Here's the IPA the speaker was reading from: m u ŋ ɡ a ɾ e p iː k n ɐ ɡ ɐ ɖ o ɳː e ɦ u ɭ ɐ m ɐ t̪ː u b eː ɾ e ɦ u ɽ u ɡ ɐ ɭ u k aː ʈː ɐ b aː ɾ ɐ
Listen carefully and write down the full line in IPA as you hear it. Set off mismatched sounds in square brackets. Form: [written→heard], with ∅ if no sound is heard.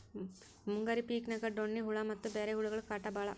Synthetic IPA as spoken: m u ŋ ɡ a ɾ [e→i] p iː k n ɐ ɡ ɐ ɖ o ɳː [e→i] ɦ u ɭ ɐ m ɐ t̪ː u b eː ɾ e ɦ u [ɽ→ɭ] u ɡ ɐ ɭ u k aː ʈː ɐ b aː [ɾ→ɭ] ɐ